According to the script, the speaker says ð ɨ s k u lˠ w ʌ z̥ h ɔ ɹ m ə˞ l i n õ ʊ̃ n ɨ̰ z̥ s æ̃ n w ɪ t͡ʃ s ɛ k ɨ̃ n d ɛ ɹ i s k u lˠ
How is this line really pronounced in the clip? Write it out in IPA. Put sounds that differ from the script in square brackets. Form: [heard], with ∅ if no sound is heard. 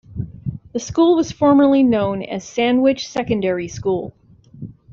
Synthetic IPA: ð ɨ s k u lˠ w ʌ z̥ [f] ɔ ɹ m ə˞ l i n õ ʊ̃ n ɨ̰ z̥ s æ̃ n w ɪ t͡ʃ s ɛ k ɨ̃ n d ɛ ɹ i s k u lˠ